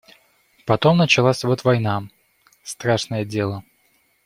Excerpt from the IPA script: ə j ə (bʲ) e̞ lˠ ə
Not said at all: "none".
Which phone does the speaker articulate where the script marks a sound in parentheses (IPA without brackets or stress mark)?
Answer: dʲ